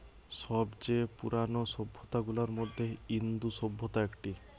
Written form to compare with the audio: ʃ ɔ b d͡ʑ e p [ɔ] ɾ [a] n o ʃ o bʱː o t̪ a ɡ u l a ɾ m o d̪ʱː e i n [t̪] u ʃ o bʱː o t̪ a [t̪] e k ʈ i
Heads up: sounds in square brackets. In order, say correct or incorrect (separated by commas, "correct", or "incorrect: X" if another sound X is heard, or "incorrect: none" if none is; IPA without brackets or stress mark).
incorrect: u, correct, incorrect: d̪, incorrect: none